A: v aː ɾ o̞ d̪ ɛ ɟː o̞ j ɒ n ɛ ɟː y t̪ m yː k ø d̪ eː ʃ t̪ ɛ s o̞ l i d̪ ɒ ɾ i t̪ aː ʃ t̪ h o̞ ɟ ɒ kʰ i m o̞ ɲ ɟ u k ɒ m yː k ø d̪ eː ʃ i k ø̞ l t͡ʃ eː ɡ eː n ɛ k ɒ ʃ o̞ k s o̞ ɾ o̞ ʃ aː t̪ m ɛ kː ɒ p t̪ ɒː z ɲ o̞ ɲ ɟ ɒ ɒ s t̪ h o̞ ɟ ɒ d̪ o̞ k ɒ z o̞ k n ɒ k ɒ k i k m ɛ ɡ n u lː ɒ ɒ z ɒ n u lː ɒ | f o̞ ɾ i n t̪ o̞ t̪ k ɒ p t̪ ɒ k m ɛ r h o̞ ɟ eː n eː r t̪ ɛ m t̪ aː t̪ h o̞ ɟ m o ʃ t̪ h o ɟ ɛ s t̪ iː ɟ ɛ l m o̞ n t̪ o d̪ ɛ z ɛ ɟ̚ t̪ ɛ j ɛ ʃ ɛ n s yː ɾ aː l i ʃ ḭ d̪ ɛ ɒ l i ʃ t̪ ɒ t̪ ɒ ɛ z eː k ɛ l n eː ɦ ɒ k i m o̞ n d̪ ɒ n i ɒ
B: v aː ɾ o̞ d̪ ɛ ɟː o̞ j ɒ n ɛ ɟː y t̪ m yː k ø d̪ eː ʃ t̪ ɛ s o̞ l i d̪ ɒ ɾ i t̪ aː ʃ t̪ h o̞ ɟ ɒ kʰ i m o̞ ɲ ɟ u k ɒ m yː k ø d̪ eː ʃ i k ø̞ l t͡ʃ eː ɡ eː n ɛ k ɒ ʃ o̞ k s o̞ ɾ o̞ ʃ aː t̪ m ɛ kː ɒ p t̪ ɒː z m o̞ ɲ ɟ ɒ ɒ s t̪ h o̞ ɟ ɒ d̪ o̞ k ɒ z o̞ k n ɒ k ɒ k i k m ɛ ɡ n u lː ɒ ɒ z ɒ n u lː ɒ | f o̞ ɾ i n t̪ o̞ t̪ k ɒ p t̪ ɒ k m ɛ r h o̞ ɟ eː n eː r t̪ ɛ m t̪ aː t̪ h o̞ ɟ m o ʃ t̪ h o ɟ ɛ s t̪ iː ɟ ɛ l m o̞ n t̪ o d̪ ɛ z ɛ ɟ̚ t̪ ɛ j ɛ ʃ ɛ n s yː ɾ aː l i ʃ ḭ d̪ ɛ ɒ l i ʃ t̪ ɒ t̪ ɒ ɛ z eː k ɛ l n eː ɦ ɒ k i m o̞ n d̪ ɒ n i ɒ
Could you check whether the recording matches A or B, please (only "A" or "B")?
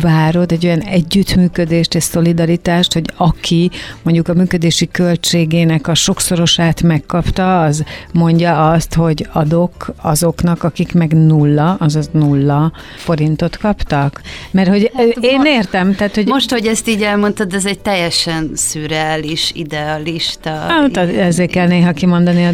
B